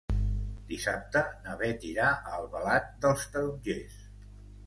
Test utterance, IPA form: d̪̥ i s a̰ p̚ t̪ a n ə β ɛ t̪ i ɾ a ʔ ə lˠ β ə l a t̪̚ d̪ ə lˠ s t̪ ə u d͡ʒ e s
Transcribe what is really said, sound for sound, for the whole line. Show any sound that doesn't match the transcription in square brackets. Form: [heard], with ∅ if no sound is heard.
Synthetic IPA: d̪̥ i s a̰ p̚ t̪ [ə] n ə β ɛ t̪ i ɾ a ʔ ə lˠ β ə l a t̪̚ d̪ ə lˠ s t̪ ə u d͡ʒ e s